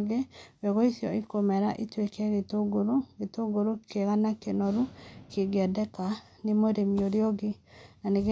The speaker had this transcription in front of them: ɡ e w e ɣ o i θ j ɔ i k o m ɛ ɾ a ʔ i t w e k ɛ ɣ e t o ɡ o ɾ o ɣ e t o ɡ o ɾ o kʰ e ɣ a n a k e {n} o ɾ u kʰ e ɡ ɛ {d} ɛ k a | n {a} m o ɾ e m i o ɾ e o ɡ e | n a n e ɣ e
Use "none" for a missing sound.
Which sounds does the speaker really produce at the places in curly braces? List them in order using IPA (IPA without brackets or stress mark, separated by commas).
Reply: n, d, e